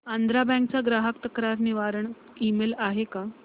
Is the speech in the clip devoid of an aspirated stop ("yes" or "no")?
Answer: yes